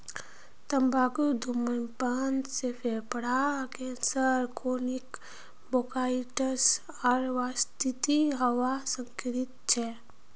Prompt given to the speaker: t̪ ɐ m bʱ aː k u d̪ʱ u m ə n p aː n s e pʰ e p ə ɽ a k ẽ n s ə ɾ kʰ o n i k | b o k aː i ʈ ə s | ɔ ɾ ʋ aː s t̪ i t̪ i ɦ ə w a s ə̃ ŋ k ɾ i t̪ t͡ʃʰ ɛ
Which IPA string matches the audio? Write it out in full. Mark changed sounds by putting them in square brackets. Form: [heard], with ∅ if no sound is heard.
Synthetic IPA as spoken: t̪ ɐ m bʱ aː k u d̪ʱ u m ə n p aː n s e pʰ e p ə ɽ a k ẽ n s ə ɾ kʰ o n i k | b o k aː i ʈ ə s | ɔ ɾ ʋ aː s t̪ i t̪ i ɦ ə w a s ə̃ ŋ k ɾ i t̪ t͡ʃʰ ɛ